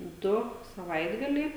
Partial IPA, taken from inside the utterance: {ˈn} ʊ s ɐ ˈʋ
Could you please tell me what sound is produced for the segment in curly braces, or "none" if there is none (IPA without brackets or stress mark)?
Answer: d